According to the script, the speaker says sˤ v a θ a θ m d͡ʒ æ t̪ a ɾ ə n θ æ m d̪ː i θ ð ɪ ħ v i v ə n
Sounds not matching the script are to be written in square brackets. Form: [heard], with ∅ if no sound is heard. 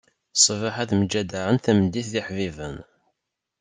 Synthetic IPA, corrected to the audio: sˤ v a [ħ] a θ m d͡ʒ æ [d̪] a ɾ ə n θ æ m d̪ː i θ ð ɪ ħ v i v ə n